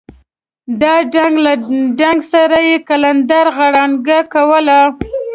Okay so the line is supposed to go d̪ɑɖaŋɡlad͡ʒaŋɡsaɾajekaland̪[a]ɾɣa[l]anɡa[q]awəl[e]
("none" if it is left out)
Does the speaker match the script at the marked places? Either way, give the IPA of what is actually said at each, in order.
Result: a, ɽ, k, a

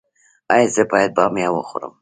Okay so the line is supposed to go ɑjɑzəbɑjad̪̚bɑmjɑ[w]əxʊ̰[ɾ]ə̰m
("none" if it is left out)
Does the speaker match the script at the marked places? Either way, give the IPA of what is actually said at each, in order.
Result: w, ɾ

